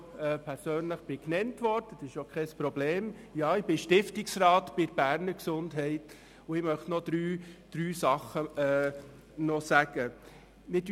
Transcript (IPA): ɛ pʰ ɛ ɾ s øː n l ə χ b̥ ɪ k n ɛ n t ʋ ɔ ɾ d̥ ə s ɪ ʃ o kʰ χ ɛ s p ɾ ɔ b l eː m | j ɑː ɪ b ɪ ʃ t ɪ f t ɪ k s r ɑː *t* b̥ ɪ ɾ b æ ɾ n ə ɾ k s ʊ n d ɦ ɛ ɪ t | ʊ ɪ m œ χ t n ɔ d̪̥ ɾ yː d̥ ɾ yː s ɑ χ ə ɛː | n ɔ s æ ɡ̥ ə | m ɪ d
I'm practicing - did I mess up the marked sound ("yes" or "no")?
no